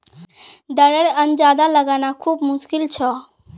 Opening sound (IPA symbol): d̪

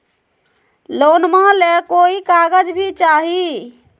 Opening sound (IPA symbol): l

